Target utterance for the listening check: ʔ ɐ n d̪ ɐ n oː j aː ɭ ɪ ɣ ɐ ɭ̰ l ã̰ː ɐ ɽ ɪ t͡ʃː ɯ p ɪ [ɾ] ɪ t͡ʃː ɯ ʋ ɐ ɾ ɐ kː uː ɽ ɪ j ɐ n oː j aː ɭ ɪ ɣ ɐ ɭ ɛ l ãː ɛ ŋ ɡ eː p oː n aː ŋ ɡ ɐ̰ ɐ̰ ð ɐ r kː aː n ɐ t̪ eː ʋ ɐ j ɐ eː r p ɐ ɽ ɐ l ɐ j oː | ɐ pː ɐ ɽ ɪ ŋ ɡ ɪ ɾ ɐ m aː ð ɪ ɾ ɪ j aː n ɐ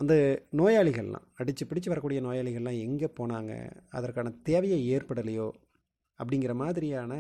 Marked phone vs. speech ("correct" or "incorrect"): incorrect